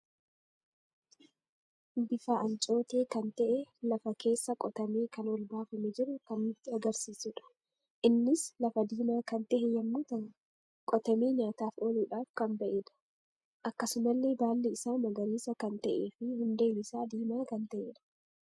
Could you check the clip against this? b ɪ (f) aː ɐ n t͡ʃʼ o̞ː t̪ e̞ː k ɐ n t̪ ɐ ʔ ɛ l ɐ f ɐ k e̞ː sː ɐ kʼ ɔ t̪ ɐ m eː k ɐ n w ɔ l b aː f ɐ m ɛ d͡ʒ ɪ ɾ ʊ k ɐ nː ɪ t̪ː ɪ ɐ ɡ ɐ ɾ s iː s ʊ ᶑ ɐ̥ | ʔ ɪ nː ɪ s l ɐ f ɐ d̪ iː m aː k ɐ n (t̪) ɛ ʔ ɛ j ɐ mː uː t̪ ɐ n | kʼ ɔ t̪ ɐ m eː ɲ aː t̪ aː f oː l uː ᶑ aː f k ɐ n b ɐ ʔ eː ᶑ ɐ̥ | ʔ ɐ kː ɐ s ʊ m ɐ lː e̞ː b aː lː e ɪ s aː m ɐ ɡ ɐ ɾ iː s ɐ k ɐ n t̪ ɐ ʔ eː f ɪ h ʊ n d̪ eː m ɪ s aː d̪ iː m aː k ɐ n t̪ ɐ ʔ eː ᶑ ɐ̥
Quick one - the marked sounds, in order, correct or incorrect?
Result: correct, correct

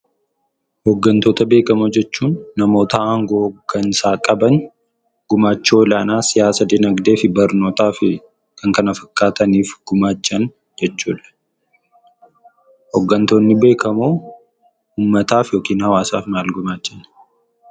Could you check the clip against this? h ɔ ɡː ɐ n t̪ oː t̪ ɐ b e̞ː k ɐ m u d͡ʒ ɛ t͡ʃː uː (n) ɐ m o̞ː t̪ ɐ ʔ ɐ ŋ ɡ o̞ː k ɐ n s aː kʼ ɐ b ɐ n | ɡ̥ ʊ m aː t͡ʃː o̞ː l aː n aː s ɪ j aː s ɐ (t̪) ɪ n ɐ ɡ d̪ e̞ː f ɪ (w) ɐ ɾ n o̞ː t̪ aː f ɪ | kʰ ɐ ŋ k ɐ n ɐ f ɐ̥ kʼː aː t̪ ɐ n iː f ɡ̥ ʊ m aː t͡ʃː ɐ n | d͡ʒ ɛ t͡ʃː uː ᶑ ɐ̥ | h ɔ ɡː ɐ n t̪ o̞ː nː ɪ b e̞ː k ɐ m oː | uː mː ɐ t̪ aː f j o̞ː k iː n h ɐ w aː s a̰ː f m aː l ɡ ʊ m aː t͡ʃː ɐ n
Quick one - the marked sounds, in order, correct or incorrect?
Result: incorrect, incorrect, incorrect

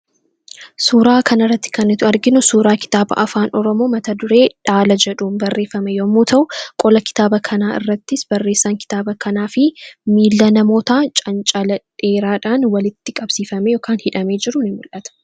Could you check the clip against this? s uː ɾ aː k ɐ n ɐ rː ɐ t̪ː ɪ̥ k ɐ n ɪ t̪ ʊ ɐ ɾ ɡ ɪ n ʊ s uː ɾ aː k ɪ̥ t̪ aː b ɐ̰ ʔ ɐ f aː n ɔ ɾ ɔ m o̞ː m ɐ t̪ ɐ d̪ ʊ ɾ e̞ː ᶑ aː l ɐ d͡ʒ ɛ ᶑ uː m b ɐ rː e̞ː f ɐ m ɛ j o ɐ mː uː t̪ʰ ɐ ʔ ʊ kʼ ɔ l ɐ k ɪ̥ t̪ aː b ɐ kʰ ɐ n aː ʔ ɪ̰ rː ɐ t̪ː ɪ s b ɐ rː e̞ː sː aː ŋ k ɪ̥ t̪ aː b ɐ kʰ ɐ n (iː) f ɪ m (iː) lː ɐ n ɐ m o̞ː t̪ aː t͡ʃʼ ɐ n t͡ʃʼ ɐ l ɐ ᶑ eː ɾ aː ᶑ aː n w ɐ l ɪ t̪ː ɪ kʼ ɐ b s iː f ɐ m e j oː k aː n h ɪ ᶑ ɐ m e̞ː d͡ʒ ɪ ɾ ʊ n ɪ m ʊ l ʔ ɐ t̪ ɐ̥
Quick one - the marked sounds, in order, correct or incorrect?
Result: incorrect, correct

